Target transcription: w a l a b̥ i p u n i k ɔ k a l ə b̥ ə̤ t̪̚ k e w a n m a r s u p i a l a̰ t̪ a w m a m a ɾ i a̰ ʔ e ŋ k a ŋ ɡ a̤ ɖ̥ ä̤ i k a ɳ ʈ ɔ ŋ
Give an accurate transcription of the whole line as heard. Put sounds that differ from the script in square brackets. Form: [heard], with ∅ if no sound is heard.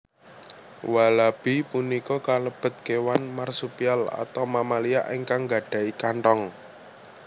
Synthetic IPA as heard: w a l a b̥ i p u n i k ɔ k a l ə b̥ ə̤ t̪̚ k e w a n m a r s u p i a l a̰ t̪ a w m a m a [l] i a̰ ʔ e ŋ k a ŋ ɡ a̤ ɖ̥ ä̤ i k a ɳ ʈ ɔ ŋ